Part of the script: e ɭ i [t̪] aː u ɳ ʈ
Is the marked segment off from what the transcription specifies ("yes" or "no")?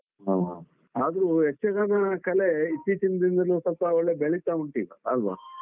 no